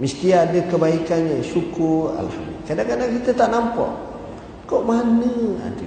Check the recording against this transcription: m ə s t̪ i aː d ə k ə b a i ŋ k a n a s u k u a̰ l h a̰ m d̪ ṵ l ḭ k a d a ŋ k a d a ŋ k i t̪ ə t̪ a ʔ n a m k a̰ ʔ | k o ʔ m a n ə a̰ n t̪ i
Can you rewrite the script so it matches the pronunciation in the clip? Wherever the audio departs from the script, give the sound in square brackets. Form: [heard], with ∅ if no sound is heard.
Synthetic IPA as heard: m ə s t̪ i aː d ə k ə b a i [∅] k a n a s u k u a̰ l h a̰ m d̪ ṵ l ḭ k a d a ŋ k a d a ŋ k i t̪ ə t̪ a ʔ n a m [p] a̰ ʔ | k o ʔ m a n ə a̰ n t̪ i